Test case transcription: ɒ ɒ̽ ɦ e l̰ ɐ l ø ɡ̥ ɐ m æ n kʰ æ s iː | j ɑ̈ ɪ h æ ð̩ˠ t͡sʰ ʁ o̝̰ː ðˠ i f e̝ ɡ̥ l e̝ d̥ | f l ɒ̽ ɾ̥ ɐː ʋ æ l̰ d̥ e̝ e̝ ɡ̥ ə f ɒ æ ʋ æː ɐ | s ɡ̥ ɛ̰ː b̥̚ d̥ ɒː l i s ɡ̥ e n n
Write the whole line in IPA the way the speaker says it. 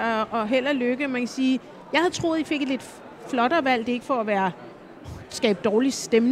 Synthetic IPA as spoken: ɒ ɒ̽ ɦ e l̰ ɐ l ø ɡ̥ ə m æ n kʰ æ s iː | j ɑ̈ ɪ h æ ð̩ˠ t͡sʰ ʁ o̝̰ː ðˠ i f e̝ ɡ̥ l e̝ d̥ | f l ɒ̽ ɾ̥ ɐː ʋ æ l̰ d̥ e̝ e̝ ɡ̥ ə f ɒ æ ʋ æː ɐ | s ɡ̥ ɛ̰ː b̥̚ d̥ ɒː l i s d̥ e m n